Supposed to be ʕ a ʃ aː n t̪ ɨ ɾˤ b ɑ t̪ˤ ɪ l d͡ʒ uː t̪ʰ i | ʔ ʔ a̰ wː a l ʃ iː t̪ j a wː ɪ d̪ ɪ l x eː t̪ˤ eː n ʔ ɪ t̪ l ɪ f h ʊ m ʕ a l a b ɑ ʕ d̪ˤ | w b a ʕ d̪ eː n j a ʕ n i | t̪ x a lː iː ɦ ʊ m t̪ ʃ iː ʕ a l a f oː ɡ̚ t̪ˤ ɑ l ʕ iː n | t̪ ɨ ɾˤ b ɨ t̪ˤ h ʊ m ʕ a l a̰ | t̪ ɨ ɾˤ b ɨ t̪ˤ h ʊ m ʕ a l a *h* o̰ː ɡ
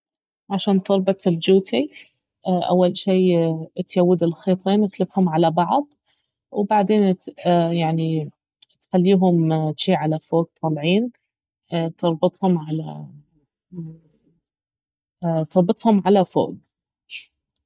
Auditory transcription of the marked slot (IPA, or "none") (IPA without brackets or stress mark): f